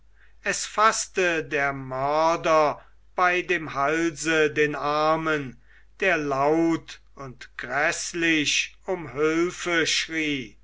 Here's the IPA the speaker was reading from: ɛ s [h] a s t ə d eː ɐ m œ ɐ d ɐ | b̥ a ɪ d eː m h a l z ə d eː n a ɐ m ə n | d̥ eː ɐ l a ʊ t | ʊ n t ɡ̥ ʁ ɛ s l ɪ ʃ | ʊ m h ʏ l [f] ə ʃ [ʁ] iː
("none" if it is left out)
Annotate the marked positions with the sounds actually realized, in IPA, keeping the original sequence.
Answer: f, f, ʁ

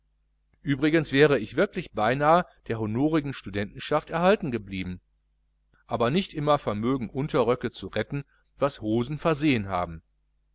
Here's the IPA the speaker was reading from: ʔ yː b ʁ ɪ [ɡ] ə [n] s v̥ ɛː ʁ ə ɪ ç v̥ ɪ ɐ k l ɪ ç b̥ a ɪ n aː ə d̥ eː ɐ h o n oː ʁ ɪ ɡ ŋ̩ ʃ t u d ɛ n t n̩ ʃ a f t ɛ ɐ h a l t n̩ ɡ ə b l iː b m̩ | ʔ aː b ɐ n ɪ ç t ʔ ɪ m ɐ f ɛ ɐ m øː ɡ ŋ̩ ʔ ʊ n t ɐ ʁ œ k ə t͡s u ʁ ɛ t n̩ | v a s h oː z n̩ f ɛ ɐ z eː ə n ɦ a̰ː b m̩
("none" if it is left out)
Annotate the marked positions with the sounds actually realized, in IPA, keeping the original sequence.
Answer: ɡ, n

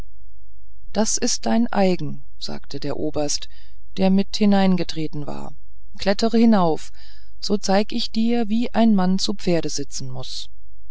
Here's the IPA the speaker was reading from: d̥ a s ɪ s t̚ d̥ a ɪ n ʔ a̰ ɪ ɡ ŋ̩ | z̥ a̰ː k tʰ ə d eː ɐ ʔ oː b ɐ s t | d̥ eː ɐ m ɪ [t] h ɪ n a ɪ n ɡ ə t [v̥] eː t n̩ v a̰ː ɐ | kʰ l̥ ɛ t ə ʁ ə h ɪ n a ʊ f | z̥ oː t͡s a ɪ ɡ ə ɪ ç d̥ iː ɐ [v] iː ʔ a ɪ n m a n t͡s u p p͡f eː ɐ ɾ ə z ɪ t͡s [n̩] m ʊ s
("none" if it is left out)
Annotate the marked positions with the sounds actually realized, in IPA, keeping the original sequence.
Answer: t, ʁ̥, v, n̩

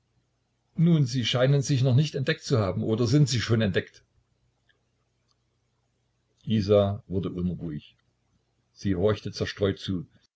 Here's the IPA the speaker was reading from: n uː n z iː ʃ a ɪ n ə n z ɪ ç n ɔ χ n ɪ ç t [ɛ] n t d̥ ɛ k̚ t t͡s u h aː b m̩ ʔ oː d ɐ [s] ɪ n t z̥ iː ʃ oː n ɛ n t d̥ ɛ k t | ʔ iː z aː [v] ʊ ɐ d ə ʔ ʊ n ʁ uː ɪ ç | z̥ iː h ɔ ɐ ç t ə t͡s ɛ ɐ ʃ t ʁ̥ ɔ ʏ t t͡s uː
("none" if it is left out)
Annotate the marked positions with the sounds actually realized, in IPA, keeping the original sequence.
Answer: ɛ, z, v

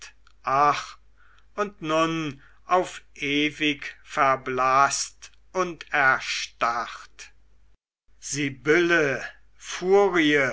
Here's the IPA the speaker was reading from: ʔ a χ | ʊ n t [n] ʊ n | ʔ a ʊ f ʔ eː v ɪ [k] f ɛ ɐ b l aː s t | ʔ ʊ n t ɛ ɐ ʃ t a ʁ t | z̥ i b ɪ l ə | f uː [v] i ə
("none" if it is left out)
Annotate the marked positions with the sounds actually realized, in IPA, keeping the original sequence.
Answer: n, k, ʁ

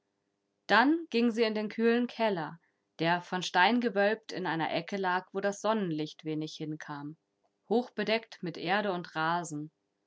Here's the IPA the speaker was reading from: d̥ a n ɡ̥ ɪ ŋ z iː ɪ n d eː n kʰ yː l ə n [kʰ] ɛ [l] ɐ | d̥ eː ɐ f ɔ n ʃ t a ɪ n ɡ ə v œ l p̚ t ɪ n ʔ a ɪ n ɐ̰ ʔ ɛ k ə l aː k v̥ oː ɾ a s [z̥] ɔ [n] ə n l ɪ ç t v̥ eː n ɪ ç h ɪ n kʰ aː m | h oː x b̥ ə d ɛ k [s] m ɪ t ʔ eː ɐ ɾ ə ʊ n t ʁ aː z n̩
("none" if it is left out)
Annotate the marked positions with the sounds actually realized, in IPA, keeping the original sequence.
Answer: kʰ, l, z̥, n, t

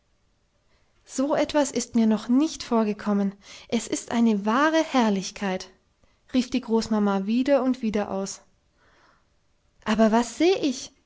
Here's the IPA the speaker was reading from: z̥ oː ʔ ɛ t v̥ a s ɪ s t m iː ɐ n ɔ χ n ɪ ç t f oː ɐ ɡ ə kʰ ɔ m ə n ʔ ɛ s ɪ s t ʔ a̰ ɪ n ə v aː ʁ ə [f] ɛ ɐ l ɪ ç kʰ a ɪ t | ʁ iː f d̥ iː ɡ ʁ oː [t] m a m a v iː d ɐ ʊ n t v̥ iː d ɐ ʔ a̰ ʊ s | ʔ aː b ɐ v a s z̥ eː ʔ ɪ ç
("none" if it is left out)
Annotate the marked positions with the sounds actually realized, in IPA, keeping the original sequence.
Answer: h, s

